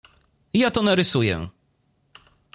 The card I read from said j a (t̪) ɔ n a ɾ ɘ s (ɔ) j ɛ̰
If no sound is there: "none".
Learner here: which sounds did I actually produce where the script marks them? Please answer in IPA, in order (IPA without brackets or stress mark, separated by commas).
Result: t̪, u